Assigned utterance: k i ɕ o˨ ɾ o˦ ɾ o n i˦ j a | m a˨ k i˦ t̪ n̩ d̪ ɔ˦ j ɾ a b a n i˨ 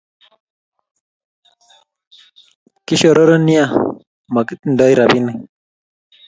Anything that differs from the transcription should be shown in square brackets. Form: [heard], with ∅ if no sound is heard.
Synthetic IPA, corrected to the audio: k i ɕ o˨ ɾ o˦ ɾ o n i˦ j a | m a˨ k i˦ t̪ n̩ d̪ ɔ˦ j ɾ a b [i] n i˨